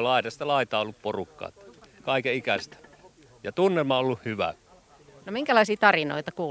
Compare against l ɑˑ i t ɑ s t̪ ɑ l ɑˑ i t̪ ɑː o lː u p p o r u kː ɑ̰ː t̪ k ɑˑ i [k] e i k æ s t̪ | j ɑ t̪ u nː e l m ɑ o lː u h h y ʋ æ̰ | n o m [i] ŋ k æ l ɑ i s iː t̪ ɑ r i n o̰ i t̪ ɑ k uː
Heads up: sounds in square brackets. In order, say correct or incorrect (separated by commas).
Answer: correct, correct